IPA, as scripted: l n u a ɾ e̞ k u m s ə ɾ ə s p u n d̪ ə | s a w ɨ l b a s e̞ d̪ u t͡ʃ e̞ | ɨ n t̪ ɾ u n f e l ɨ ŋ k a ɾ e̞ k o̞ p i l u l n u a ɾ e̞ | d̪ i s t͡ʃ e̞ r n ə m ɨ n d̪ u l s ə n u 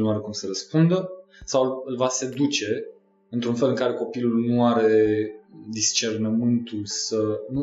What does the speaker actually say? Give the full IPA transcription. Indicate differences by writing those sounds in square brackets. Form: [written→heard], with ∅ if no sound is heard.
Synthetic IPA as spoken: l n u a ɾ e̞ k u m s ə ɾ ə s p u n d̪ ə | s a w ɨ l [b→v] a s e̞ d̪ u t͡ʃ e̞ | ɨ n t̪ ɾ u n f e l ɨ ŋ k a ɾ e̞ k o̞ p i l u l n u a ɾ e̞ | d̪ i s t͡ʃ e̞ r n ə m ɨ n [d̪→t̪] u l s ə n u